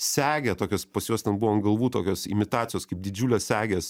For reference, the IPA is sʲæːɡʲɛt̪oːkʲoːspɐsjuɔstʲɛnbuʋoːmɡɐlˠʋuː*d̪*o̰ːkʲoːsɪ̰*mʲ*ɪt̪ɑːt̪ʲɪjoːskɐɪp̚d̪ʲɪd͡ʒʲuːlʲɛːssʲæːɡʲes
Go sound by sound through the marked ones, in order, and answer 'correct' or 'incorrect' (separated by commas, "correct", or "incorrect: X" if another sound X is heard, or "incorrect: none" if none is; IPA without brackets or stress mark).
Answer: incorrect: t̪, correct